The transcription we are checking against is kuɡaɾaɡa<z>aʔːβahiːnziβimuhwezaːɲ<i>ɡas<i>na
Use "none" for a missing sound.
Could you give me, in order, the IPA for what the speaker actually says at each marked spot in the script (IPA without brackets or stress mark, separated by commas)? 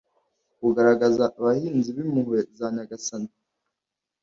z, a, a